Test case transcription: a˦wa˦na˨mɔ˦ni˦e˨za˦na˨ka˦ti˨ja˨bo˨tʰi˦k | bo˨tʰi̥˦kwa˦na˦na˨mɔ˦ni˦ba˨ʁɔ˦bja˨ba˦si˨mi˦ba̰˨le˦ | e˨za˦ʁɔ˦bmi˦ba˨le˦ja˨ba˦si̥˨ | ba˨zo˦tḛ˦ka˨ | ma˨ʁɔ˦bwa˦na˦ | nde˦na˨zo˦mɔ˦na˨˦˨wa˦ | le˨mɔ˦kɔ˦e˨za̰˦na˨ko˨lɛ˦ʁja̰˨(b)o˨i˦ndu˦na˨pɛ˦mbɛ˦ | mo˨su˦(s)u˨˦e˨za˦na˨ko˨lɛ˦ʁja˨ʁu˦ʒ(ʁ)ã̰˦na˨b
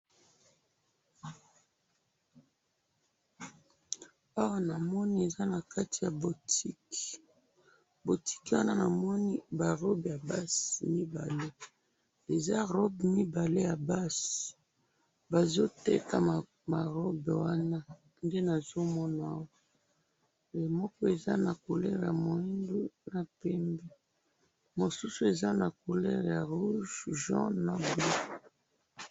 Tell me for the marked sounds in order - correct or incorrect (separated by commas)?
incorrect, correct, incorrect